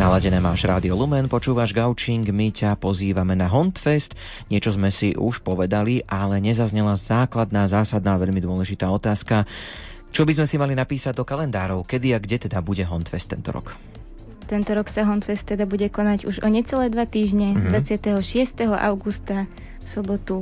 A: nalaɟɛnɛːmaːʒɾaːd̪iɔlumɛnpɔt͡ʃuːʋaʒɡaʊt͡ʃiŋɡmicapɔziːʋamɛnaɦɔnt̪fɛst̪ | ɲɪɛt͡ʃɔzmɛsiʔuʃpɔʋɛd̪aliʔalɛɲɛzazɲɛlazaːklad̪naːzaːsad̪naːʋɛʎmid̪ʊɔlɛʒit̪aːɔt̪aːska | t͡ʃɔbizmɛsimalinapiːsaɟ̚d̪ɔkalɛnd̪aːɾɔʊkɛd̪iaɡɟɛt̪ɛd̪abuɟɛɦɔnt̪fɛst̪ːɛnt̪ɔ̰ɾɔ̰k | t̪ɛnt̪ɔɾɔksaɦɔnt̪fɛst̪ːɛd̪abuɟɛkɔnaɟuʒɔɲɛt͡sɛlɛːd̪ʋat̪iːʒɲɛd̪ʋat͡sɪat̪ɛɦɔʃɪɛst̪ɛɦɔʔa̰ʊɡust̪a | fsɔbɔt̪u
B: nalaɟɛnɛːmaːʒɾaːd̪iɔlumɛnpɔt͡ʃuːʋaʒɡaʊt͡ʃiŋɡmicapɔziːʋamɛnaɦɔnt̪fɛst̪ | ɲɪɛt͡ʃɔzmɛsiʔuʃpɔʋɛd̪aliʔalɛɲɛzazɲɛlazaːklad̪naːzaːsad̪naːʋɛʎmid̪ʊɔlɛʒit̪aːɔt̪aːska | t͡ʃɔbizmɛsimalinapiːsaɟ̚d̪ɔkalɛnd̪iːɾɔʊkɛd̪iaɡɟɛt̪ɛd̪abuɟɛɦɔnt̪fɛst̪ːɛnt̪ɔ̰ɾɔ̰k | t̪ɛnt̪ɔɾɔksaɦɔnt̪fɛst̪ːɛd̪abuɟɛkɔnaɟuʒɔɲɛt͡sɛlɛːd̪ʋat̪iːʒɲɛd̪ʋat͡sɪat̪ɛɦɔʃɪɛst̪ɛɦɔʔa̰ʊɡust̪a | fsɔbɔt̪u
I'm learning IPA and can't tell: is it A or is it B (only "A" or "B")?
A